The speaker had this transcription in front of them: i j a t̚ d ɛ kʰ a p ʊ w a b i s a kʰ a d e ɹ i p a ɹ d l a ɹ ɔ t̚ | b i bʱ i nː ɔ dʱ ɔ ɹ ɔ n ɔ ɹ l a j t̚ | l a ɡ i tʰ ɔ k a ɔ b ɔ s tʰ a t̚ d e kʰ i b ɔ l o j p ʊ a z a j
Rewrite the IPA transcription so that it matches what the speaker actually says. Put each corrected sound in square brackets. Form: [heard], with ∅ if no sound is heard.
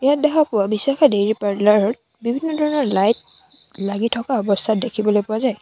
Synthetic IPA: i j a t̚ d ɛ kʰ a p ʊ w a b i s a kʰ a d e ɹ i p a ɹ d l a ɹ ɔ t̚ | b i bʱ i nː ɔ dʱ ɔ ɹ ɔ n ɔ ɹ l a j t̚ | l a ɡ i tʰ ɔ k a ɔ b ɔ s tʰ a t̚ d e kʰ i b ɔ l o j p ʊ a z a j